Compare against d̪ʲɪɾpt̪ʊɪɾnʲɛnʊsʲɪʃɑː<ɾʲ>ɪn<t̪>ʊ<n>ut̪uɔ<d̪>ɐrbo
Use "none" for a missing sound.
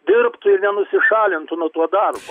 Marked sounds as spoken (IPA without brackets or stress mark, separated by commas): lʲ, t̪, n, d̪